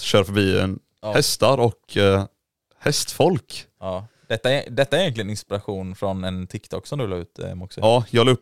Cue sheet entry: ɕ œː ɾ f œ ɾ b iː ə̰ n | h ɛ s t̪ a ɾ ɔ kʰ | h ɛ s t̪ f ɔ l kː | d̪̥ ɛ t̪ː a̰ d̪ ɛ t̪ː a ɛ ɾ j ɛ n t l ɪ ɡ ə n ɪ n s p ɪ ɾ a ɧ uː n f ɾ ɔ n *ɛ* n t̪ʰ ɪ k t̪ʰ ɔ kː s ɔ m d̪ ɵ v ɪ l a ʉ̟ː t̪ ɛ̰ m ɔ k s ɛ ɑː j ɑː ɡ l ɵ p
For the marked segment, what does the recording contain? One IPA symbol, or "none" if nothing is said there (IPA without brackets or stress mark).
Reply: ɛ